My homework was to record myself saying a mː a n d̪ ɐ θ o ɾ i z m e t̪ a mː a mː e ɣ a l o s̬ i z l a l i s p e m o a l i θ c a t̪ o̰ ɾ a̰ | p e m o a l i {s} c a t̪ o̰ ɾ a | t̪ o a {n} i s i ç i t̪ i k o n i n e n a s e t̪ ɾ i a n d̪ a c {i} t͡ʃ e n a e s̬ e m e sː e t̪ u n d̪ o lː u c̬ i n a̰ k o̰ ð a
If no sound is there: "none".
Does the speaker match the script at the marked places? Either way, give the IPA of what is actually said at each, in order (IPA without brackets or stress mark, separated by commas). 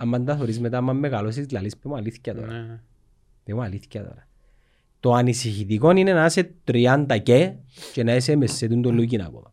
θ, n, e